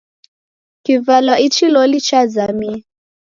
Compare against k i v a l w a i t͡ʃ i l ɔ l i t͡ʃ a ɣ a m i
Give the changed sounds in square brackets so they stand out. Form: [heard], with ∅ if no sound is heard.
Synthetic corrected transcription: k i v a l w a i t͡ʃ i l ɔ l i t͡ʃ a [z] a m i